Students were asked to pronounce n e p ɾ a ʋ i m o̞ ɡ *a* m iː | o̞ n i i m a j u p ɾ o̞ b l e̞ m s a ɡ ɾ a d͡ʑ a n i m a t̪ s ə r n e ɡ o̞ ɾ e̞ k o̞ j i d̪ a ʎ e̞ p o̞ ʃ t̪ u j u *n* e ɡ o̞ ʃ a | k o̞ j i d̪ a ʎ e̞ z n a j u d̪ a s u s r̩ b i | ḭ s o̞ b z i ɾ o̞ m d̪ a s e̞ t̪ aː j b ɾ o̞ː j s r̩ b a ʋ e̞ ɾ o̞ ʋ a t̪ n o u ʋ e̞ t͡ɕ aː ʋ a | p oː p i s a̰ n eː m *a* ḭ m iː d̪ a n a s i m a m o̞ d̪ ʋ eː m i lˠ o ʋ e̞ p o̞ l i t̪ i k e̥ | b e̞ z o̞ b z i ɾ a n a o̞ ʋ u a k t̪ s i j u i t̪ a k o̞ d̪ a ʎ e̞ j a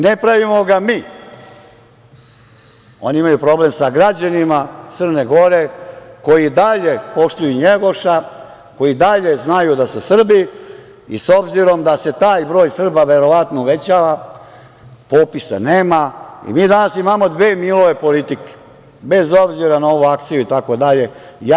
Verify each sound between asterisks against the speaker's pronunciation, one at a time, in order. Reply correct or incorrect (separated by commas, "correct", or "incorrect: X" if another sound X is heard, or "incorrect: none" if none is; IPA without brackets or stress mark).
correct, incorrect: ɲ, correct